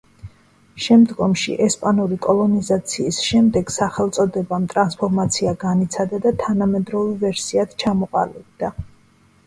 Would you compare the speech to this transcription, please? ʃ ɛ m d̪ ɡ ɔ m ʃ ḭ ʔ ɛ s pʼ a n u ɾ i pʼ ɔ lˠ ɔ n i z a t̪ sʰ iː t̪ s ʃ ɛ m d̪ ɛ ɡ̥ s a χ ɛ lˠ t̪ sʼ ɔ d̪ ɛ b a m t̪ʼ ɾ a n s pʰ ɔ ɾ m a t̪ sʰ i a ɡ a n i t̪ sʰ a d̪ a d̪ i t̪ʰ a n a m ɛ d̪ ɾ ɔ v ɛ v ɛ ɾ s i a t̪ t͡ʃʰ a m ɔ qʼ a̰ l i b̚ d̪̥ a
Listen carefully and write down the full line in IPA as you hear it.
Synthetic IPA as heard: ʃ ɛ m d̪ ɡ ɔ m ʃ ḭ ʔ ɛ s pʼ a n u ɾ i kʼ ɔ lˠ ɔ n i z a t̪ sʰ iː s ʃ ɛ m d̪ ɛ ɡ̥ s a χ ɛ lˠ t̪ sʼ ɔ d̪ ɛ b a m t̪ʼ ɾ a n s pʰ ɔ ɾ m a t̪ sʰ i a ɡ a n i t̪ sʰ a d̪ a d̪ a t̪ʰ a n a m ɛ d̪ ɾ ɔ v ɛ v ɛ ɾ s i a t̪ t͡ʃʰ a m ɔ qʼ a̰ l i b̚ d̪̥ a